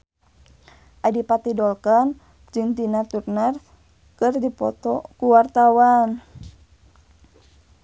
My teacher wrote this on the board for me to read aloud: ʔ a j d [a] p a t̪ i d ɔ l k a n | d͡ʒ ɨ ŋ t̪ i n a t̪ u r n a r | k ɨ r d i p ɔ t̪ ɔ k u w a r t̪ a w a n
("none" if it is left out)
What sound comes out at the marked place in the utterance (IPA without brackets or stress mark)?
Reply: i